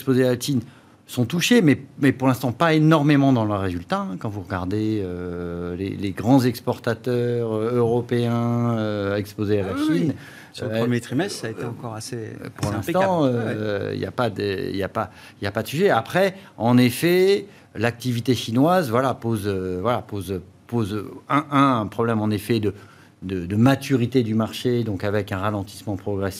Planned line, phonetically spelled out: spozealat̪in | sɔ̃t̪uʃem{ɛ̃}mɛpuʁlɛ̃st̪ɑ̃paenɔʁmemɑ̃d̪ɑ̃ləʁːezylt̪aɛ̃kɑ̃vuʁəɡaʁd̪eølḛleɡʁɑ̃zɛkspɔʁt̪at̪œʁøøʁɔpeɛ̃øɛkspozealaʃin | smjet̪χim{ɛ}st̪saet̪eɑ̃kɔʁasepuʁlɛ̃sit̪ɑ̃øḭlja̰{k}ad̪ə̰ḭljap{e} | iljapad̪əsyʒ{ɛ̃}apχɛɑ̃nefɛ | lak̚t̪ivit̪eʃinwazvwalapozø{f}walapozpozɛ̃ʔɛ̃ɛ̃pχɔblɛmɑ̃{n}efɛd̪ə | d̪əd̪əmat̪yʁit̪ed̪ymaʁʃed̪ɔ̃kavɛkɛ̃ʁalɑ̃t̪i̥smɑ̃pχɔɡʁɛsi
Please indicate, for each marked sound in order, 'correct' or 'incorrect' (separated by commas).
incorrect, correct, incorrect, incorrect, incorrect, incorrect, correct